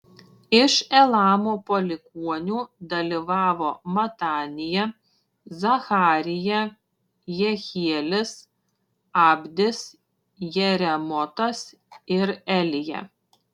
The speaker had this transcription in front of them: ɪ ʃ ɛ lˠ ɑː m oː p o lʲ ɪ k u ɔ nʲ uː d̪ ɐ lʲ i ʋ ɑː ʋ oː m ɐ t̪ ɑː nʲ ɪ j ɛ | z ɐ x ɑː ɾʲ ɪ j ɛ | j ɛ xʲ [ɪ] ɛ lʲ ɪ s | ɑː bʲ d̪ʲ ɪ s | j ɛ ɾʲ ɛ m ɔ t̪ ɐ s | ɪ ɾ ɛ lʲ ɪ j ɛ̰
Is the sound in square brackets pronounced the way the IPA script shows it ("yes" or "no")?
no